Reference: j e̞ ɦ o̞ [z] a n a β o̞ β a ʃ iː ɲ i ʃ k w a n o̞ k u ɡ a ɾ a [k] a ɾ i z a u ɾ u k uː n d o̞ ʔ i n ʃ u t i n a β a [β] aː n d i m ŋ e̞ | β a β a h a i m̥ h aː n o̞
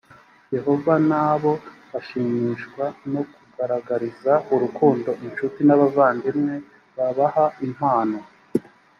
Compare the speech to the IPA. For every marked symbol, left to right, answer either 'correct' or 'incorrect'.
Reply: incorrect, incorrect, incorrect

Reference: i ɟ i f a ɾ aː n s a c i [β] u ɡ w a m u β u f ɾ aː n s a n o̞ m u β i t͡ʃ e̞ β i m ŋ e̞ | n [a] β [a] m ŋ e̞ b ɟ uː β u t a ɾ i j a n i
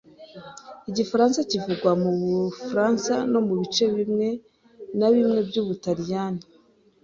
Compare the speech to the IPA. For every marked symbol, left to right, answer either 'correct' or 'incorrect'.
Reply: incorrect, correct, incorrect

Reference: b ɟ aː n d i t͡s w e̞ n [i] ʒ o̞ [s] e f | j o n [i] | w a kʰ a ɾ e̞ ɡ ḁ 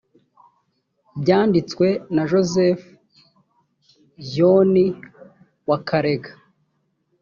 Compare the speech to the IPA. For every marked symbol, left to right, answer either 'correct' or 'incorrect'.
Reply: incorrect, incorrect, correct

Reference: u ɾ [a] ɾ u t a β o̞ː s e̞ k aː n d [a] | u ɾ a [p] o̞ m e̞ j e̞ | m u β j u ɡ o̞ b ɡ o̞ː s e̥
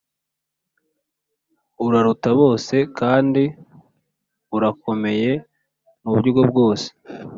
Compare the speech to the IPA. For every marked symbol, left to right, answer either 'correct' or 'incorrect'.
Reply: correct, incorrect, incorrect

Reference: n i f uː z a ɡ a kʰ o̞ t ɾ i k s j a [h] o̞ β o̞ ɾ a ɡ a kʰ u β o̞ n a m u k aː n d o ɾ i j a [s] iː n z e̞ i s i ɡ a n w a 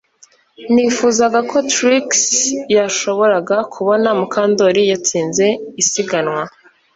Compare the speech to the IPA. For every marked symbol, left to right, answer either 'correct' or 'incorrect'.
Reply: incorrect, incorrect

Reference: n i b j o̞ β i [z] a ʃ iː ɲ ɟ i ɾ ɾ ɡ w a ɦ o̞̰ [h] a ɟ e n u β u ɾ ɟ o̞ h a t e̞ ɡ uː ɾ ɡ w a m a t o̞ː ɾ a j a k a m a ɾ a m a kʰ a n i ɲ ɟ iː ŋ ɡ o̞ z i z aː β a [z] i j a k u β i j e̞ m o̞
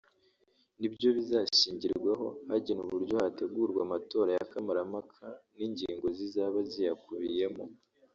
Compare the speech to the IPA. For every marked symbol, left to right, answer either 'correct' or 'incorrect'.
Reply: correct, correct, correct

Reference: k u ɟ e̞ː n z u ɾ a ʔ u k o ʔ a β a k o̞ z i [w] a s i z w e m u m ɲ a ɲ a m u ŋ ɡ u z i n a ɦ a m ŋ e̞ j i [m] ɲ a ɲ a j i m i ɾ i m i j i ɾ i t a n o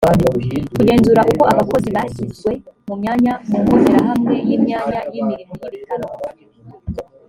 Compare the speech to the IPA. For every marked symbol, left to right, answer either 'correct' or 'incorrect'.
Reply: incorrect, correct

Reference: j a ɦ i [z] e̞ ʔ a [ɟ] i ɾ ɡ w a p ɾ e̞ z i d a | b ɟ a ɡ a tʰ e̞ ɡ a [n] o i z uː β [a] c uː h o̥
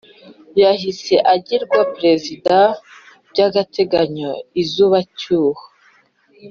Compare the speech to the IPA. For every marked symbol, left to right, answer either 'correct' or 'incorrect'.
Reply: incorrect, correct, incorrect, correct

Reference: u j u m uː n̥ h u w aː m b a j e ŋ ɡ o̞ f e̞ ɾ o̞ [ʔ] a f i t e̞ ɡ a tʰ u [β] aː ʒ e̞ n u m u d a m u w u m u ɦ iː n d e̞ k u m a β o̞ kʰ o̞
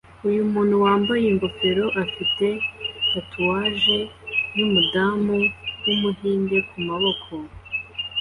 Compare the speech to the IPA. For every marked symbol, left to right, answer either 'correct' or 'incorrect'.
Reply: correct, incorrect

